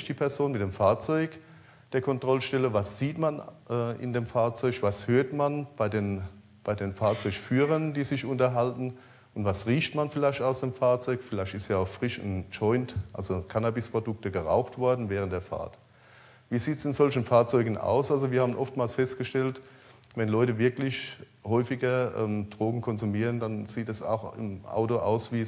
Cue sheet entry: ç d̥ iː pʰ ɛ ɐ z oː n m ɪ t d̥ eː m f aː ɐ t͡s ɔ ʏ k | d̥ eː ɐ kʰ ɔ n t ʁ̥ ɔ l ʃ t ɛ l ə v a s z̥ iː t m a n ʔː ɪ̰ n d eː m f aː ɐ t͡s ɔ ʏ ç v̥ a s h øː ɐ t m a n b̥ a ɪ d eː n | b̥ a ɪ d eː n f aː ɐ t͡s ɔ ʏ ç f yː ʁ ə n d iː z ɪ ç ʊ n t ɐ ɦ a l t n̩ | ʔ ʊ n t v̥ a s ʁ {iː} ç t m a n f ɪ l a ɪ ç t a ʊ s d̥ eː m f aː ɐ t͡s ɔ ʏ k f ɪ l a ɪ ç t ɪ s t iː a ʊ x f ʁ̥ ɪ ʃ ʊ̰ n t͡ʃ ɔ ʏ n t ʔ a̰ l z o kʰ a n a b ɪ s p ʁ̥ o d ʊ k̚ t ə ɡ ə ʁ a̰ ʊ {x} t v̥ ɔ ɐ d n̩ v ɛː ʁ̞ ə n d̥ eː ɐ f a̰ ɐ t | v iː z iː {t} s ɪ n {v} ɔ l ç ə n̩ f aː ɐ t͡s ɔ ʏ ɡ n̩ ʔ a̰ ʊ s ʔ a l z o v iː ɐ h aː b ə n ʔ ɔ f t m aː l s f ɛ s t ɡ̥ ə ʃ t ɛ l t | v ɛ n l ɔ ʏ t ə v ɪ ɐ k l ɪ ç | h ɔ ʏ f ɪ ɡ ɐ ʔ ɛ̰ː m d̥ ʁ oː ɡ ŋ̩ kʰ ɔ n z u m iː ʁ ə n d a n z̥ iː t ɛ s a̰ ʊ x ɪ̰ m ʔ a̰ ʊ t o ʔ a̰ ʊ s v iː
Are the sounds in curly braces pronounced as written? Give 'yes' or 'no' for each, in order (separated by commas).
yes, yes, yes, no